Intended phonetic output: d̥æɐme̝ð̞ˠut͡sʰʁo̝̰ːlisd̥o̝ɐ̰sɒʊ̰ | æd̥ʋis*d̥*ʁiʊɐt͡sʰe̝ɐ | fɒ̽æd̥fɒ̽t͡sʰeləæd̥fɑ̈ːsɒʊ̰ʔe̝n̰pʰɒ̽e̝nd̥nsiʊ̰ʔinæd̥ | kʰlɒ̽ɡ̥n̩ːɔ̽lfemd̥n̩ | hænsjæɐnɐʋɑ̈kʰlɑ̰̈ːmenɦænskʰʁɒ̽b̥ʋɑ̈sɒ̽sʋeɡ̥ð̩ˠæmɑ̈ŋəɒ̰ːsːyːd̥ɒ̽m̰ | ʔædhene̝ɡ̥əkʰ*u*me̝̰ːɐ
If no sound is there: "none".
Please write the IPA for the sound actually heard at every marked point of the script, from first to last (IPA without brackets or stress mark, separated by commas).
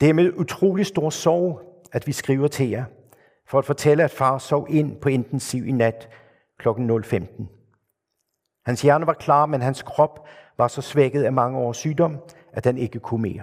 ɡ̥, u